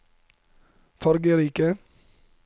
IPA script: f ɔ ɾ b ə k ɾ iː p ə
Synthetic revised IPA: f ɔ ɾ ɡ ə ɾ iː k ə